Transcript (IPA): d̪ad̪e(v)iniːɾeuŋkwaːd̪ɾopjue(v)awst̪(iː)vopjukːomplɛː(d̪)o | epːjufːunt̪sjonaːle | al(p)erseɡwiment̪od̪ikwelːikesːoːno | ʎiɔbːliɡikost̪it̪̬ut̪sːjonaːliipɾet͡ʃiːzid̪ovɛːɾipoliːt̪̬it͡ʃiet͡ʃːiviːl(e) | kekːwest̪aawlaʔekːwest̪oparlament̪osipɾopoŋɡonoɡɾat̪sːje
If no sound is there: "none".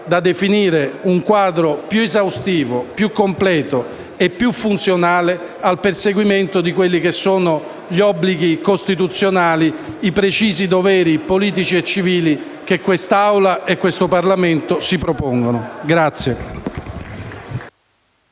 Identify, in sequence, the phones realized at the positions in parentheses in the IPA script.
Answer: f, z, iː, t̪, p, i

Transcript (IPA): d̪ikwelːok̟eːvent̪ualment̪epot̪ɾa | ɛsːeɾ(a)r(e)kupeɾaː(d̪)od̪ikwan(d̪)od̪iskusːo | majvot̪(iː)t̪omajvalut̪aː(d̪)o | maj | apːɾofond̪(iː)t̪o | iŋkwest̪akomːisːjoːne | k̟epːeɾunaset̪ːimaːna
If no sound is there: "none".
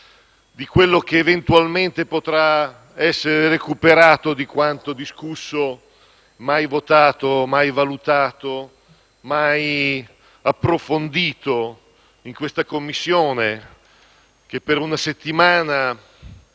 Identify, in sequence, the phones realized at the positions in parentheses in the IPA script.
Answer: e, e, t̪, t̪, aː, t̪, iː

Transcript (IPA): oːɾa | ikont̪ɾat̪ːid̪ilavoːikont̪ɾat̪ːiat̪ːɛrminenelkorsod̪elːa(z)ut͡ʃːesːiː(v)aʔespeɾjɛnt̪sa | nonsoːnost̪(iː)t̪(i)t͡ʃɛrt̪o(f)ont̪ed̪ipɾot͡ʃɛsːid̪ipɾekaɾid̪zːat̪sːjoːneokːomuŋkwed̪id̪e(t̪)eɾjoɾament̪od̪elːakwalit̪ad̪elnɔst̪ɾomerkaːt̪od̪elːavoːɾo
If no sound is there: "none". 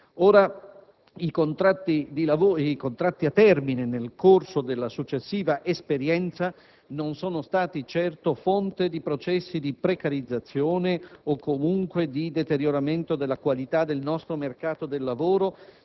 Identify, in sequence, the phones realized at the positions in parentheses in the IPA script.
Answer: s, v, aː, i, f, t̪

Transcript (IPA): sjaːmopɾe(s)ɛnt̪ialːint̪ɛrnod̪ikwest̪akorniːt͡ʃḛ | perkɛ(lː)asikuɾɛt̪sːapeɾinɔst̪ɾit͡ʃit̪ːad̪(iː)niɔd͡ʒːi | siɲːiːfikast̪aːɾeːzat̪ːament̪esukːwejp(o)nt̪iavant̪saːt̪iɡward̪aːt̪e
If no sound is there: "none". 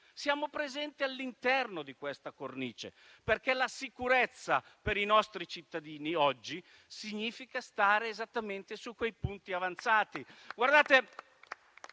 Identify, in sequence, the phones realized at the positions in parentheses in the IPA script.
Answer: z, l, iː, u

